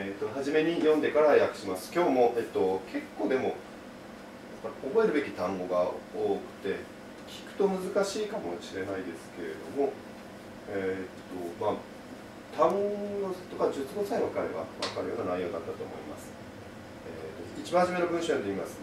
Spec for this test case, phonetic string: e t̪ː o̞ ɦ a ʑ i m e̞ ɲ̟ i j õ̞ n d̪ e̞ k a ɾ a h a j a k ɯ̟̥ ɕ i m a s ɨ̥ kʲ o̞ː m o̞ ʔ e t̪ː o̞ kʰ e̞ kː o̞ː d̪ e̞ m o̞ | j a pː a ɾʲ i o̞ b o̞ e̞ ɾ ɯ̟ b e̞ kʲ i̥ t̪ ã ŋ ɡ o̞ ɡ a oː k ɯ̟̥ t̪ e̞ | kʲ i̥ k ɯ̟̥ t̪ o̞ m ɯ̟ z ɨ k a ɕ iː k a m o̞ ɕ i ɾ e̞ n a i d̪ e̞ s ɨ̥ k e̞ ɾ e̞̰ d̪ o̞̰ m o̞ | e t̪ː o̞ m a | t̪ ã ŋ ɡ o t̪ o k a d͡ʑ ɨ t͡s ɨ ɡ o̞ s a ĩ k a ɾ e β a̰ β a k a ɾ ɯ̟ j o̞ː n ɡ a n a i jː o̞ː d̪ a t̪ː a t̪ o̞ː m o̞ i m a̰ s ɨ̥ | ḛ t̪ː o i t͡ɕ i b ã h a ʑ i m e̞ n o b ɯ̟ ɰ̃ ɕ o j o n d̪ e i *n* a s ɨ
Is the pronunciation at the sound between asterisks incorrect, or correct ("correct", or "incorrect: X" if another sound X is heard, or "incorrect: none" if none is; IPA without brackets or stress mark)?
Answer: incorrect: m